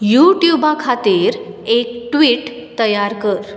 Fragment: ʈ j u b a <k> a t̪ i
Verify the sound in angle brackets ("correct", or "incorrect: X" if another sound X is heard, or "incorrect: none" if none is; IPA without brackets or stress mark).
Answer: incorrect: kʰ